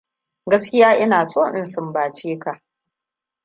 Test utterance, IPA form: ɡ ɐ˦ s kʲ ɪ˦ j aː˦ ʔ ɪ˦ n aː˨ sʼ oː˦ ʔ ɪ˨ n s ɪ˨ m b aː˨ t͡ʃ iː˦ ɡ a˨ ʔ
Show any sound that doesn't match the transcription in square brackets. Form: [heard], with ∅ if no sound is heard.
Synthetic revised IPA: ɡ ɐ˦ s kʲ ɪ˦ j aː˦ ʔ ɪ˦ n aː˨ sʼ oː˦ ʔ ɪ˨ n s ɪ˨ m b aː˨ t͡ʃ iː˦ [k] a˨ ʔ